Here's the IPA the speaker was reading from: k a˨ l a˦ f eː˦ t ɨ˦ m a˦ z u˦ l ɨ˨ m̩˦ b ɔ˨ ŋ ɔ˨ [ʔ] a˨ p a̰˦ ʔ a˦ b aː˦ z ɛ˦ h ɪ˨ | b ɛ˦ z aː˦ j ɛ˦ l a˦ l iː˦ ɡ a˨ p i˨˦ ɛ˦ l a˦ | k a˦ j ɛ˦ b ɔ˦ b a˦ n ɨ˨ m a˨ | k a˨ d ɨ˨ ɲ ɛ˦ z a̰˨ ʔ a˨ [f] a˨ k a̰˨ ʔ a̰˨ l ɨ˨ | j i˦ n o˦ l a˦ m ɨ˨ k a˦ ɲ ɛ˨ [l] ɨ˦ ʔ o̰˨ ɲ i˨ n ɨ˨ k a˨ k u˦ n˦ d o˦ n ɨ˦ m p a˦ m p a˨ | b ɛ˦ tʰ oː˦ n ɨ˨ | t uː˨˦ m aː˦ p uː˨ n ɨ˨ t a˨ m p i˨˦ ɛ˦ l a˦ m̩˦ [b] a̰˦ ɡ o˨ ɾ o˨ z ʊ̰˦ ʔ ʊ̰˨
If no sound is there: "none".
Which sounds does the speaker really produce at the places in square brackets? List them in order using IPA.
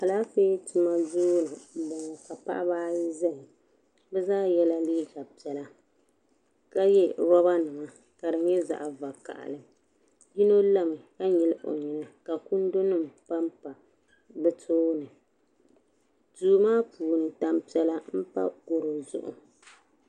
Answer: k, v, l, p

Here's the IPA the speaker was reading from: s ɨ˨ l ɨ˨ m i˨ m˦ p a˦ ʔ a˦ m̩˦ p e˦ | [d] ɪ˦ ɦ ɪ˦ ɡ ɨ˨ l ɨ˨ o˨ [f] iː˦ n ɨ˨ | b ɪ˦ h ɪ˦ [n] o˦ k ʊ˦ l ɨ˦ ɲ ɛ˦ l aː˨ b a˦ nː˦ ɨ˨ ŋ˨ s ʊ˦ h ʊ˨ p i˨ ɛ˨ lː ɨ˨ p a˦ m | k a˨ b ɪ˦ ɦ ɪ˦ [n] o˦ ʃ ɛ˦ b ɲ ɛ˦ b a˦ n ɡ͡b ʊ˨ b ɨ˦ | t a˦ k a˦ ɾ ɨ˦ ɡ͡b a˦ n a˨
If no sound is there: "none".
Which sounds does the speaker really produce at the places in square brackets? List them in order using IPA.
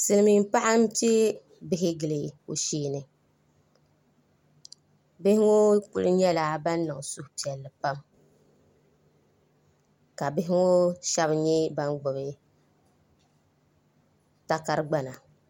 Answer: b, ʃ, ŋ, ŋ

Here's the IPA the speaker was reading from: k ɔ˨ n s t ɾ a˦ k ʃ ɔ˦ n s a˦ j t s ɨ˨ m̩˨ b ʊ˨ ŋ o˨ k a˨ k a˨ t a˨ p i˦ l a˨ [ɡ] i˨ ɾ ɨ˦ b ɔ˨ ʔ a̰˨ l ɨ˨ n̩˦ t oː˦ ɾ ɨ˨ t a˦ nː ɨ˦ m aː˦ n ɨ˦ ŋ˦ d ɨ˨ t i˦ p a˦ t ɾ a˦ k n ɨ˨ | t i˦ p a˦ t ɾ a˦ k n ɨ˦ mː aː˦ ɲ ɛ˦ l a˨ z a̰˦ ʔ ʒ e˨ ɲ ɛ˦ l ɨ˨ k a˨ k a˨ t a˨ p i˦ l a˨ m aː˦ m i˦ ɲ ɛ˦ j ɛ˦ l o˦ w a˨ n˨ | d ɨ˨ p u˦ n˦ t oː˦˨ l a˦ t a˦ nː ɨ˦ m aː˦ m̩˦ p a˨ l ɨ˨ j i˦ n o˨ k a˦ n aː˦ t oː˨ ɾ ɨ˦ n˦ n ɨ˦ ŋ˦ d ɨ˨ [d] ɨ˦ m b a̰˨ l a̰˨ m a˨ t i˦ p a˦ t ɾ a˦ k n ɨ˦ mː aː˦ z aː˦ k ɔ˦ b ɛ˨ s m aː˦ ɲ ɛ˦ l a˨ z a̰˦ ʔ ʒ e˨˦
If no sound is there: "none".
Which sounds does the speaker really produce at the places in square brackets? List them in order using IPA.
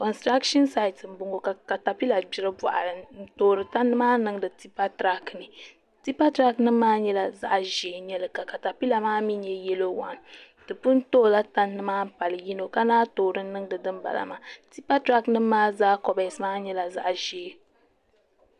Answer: b, d

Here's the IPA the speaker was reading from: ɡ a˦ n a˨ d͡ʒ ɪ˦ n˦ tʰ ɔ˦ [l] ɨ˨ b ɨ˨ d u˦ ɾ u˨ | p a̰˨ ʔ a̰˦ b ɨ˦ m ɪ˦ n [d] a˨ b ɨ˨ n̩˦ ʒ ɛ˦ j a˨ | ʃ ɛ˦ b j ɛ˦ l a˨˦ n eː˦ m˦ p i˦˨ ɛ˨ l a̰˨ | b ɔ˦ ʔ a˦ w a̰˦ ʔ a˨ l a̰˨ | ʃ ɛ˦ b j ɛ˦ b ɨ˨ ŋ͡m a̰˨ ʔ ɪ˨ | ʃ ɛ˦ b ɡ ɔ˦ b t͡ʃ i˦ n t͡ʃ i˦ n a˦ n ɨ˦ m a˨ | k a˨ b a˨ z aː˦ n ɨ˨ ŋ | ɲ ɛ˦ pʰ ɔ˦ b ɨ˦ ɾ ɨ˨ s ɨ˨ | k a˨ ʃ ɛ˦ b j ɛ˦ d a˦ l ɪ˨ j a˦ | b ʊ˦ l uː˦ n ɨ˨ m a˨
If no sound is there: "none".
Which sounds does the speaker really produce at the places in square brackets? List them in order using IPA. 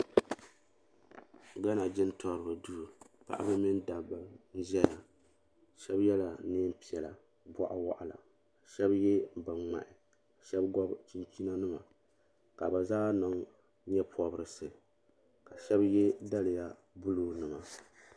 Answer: ɾ, d

